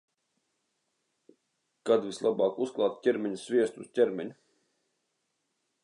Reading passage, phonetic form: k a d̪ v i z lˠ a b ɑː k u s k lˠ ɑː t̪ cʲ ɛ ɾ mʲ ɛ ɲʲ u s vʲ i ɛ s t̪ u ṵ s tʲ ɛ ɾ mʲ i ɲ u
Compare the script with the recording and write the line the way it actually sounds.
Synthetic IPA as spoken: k a d̪ v i s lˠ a b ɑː k u s k lˠ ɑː t̪ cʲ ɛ ɾ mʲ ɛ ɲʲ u s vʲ i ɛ s t̪ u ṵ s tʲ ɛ ɾ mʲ ɛ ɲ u